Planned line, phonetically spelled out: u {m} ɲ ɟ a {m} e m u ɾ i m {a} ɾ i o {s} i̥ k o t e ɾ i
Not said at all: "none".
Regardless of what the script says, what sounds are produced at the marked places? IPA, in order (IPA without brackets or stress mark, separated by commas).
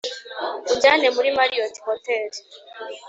none, n, a, t